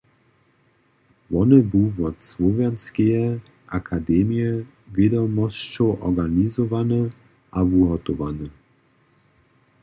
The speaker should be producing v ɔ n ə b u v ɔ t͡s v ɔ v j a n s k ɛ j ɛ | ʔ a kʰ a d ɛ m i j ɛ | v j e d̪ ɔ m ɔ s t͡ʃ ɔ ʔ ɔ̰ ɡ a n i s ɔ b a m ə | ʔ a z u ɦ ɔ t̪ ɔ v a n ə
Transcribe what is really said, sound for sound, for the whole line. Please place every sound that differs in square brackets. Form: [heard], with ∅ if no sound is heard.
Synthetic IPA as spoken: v ɔ n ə b u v ɔ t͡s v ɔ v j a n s k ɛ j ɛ | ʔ a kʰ a d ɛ m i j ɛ | v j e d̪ ɔ m ɔ s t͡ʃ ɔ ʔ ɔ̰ ɡ a n i [z] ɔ [v] a [n] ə | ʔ a [v] u ɦ ɔ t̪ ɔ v a n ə